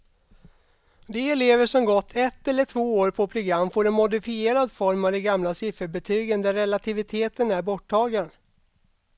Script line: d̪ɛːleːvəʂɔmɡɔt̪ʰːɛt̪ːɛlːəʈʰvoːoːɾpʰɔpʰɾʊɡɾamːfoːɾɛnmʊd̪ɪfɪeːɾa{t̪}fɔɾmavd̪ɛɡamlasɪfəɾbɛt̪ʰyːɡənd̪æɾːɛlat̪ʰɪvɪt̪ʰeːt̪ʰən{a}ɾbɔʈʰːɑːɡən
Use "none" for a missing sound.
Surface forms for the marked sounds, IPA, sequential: d̪, æ

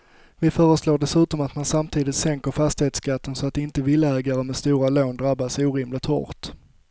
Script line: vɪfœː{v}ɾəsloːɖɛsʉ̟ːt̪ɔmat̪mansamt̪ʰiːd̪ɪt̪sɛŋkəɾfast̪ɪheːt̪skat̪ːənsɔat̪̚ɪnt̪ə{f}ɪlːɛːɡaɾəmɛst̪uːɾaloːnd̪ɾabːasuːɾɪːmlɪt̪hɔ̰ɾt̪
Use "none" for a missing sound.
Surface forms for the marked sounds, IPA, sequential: none, v

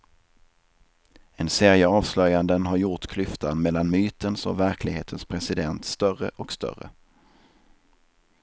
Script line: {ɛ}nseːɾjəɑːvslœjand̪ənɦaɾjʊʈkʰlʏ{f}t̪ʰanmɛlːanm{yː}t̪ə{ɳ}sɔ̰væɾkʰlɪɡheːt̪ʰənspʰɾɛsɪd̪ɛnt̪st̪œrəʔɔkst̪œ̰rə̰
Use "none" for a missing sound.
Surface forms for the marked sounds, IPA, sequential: ɛ, f, yː, n

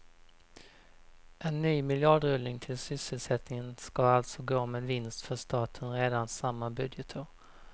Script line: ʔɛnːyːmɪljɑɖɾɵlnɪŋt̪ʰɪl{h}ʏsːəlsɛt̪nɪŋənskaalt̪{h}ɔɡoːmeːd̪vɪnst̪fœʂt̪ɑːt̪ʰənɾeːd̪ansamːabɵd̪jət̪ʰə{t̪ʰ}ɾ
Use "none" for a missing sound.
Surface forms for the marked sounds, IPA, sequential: s, s, none

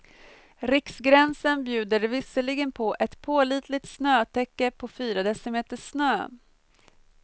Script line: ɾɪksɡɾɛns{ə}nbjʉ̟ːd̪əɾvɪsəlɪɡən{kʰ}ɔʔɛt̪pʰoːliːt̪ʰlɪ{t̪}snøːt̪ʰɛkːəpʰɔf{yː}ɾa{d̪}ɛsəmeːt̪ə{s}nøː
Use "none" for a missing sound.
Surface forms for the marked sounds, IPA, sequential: ə, pʰ, t̪, yː, d̪, ʂ

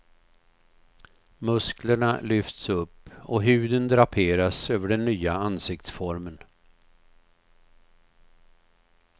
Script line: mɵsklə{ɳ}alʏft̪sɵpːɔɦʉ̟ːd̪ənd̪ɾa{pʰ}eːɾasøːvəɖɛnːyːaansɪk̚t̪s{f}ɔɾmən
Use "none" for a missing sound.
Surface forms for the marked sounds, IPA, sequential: ɳ, pʰ, f

